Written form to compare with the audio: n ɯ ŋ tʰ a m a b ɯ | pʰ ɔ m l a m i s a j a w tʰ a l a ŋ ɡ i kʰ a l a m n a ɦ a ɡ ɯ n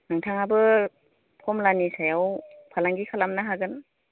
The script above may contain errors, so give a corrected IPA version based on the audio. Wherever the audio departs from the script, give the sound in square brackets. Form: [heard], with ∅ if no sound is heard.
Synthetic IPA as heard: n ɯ ŋ tʰ a [ŋ] a b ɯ | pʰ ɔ m l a [n] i s a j a w [pʰ] a l a ŋ ɡ i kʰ a l a m n a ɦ a ɡ ɯ n